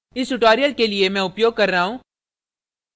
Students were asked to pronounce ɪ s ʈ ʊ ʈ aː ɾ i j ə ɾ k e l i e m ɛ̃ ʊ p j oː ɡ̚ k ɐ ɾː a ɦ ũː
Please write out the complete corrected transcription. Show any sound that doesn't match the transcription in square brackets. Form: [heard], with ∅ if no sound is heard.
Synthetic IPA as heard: ɪ s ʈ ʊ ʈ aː ɾ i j ə [l] k e l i e m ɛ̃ ʊ p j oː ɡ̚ k ɐ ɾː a ɦ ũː